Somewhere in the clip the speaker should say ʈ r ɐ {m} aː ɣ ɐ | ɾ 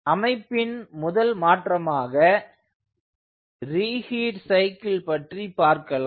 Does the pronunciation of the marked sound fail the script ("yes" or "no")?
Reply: no